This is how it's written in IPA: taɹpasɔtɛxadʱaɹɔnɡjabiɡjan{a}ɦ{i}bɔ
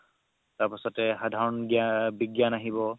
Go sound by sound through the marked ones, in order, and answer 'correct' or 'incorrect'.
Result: correct, correct

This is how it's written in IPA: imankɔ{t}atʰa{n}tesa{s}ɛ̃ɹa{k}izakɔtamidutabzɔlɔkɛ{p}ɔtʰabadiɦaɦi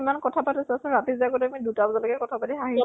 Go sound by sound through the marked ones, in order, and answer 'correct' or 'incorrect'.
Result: incorrect, incorrect, correct, incorrect, incorrect

